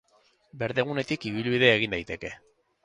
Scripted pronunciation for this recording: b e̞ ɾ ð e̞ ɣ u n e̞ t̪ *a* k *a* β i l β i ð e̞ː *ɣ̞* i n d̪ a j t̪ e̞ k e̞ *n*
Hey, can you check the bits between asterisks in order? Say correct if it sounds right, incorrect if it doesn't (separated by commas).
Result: incorrect, incorrect, correct, incorrect